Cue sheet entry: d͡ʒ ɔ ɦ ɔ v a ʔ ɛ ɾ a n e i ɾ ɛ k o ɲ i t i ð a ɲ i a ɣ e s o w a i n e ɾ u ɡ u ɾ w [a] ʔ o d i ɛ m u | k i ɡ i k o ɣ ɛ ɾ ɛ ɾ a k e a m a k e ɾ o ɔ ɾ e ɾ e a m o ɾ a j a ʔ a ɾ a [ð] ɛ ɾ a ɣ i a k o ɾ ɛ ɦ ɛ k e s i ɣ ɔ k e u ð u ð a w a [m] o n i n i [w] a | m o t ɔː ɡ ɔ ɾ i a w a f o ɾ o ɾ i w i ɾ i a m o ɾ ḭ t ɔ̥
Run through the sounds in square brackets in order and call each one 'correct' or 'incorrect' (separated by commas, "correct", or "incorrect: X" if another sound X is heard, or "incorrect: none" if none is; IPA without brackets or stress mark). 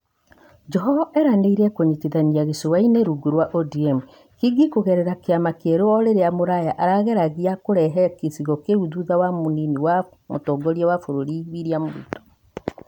correct, incorrect: ɣ, correct, correct